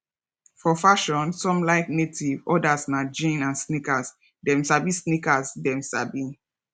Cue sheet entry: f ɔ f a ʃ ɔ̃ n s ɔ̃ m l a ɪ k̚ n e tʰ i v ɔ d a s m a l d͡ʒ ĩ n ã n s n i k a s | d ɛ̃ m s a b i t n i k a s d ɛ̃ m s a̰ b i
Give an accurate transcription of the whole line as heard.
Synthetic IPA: f ɔ f a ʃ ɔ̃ n s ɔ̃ m l a ɪ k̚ n e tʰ i v ɔ d a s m a d͡ʒ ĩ n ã n s n i k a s | d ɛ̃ m s a b i s n i k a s d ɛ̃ m s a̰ b i